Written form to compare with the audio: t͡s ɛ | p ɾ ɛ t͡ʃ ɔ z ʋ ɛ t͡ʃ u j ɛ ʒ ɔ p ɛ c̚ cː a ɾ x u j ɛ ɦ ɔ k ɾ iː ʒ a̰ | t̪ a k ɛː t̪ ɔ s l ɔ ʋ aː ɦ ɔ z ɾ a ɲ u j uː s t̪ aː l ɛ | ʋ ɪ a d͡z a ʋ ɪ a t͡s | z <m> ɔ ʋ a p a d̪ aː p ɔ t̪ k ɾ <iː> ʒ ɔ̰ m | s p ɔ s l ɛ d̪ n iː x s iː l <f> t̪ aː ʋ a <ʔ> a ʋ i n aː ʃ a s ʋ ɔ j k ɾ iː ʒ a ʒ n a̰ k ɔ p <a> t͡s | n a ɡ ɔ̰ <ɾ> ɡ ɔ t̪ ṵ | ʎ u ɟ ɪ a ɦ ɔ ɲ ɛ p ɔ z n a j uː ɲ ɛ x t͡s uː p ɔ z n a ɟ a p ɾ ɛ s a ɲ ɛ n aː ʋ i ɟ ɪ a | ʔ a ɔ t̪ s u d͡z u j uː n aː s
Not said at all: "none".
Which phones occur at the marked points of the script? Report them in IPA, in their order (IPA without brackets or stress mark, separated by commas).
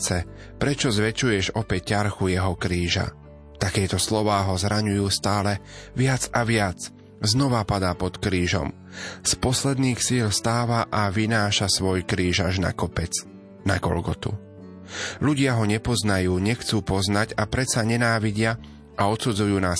n, iː, s, ʔ, ɛ, l